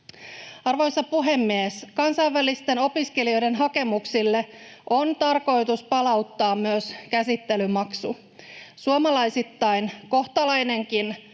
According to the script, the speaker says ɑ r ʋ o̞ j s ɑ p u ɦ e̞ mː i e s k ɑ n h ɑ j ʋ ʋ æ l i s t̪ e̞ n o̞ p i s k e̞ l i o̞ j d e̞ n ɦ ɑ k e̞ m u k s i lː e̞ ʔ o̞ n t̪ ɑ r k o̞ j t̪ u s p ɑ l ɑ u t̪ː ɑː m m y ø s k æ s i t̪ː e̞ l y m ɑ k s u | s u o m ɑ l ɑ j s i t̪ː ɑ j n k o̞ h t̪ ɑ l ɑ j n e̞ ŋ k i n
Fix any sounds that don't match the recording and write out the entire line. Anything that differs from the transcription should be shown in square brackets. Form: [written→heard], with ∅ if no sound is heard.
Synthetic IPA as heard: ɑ r ʋ o̞ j s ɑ p u ɦ e̞ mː i e s k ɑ n [h→s] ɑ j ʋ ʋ æ l i s t̪ e̞ n o̞ p i s k e̞ l i o̞ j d e̞ n ɦ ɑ k e̞ m u k s i lː e̞ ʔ o̞ n t̪ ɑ r k o̞ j t̪ u s p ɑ l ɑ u t̪ː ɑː m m y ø s k æ s i t̪ː e̞ l y m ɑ k s u | s u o m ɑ l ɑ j s i t̪ː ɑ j n k o̞ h t̪ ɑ l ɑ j n e̞ ŋ k i n

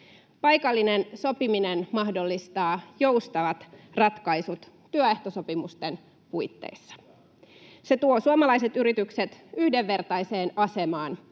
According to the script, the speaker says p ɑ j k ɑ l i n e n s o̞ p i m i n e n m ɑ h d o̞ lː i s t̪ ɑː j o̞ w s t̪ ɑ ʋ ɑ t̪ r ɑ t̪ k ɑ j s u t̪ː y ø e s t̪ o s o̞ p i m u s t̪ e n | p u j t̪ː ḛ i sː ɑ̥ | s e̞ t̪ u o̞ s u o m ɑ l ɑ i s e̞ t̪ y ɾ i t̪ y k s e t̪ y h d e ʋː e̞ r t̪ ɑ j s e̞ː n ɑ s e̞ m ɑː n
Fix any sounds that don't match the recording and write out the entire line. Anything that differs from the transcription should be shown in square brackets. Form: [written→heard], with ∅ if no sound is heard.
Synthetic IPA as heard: p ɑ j k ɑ [l→lː] i n e n s o̞ p i m i n e n m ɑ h d o̞ lː i s t̪ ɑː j o̞ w s t̪ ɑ ʋ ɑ t̪ r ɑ t̪ k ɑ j s u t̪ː y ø e [s→h] t̪ o s o̞ p i m u s t̪ e n | p u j t̪ː ḛ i sː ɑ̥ | s e̞ t̪ u o̞ s u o m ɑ l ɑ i s e̞ t̪ y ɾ i t̪ y k s e t̪ y h d e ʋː e̞ r t̪ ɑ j s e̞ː n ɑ s e̞ m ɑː n

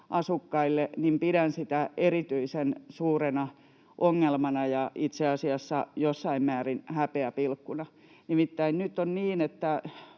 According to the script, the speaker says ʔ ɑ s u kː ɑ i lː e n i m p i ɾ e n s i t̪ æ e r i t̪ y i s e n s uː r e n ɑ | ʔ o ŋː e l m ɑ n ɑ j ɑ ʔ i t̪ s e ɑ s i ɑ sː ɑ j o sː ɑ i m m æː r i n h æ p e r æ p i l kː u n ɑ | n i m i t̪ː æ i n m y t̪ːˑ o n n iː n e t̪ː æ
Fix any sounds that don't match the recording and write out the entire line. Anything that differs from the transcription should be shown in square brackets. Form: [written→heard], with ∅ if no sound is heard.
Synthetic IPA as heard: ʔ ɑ s u kː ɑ i lː e n i m p i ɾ [e→æ] n s i t̪ æ e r i t̪ y i s e n s uː r e n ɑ | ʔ o ŋː e l m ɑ n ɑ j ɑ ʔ i t̪ s e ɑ s i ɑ sː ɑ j o sː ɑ i m m æː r i n h æ p e [r→∅] æ p i l kː u n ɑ | n i m i t̪ː æ i n [m→n] y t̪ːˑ o n n iː n e t̪ː æ

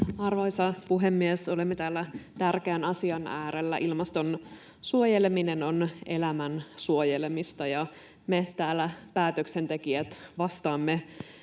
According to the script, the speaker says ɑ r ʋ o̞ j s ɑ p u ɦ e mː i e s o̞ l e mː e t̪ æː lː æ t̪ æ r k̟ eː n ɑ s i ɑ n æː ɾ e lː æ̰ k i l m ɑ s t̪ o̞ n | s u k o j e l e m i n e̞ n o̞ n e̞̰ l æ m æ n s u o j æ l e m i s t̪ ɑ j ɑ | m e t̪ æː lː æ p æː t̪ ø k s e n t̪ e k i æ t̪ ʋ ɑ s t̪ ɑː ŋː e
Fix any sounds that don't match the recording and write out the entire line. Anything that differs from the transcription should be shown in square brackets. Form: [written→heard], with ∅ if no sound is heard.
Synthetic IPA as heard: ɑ r ʋ o̞ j s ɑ p u ɦ e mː i e s o̞ l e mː e t̪ æː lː æ t̪ æ r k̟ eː n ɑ s i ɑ n æː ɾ e lː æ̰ [k→ʔ] i l m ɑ s t̪ o̞ n | s u [k→∅] o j e l e m i n e̞ n o̞ n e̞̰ l æ m æ n s u o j [æ→e] l e m i s t̪ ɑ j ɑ | m e t̪ æː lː æ p æː t̪ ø k s e n t̪ e k i æ t̪ ʋ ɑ s t̪ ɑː [ŋː→mː] e

